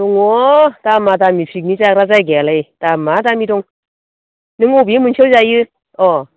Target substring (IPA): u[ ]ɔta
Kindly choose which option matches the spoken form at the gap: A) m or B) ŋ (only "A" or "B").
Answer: B